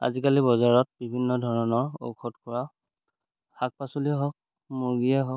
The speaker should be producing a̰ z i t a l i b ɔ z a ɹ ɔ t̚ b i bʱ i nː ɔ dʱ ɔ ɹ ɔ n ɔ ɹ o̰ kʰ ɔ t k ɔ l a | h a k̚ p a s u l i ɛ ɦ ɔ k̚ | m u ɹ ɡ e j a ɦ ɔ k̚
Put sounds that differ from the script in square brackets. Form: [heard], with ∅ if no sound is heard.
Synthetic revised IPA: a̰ z i [k] a l i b ɔ z a ɹ ɔ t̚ b i bʱ i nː ɔ dʱ ɔ ɹ ɔ n ɔ ɹ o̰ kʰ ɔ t k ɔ [ɹ] a | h a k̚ p a s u l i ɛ ɦ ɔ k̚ | m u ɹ ɡ [i] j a ɦ ɔ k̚